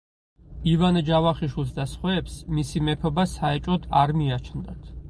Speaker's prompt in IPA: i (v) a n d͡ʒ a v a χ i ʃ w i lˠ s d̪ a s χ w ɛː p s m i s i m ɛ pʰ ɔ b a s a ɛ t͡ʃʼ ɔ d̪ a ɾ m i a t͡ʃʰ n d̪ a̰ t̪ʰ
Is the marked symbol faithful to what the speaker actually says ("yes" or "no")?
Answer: yes